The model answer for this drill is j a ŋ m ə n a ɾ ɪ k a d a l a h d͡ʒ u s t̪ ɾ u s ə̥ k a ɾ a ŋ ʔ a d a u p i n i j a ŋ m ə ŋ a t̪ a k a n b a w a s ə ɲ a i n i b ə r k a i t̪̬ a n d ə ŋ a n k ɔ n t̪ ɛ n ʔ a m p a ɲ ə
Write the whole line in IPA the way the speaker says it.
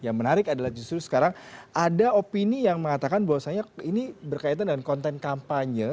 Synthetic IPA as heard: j a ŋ m ə n a ɾ ɪ k a d a l a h d͡ʒ u s t̪ ɾ u s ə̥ k a ɾ a ŋ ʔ a d a o p i n i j a ŋ m ə ŋ a t̪ a k a n b a w a s a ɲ a i n i b ə r k a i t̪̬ a n d ə ŋ a n k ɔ n t̪ ɛ n k a m p a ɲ ə